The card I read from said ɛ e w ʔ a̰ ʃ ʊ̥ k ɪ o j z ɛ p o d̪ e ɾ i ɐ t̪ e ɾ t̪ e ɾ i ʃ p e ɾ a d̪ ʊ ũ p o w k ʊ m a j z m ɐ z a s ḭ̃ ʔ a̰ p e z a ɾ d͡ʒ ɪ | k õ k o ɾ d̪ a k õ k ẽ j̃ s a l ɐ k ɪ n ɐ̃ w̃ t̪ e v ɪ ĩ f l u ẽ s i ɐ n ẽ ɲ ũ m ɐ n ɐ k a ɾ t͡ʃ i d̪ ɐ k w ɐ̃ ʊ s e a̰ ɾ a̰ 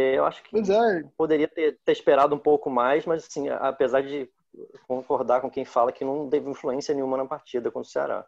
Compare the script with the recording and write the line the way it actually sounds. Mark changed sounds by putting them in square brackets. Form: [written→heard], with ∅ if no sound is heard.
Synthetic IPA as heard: ɛ e w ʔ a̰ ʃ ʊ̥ k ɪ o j z ɛ p o d̪ e ɾ i ɐ t̪ e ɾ t̪ e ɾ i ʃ p e ɾ a d̪ ʊ ũ p o w k ʊ m a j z m ɐ z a s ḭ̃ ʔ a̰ p e z a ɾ d͡ʒ ɪ | k õ k o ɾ d̪ a k õ k ẽ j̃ [s→f] a l ɐ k ɪ n ɐ̃ w̃ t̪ e v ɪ ĩ f l u ẽ s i ɐ n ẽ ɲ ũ m ɐ n ɐ [k→p] a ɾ t͡ʃ i d̪ ɐ k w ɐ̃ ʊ s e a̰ ɾ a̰